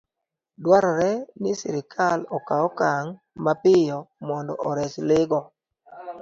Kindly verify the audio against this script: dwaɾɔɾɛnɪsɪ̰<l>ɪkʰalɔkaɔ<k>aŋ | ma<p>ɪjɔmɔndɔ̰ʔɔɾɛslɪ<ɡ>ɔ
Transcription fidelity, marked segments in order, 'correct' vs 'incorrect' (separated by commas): incorrect, correct, correct, correct